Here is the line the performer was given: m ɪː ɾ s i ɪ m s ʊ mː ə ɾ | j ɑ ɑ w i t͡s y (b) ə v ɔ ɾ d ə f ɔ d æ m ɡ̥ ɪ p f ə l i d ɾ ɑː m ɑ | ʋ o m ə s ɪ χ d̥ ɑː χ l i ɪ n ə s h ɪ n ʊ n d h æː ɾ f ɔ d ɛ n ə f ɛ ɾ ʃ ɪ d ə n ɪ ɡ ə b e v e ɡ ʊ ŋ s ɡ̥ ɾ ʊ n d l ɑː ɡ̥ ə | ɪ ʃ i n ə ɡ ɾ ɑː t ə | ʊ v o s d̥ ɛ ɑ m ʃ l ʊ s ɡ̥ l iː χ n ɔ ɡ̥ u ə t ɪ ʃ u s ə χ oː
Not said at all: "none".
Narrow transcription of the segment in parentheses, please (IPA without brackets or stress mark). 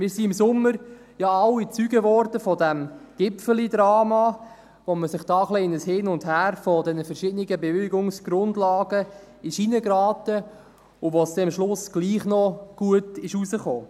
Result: ɡ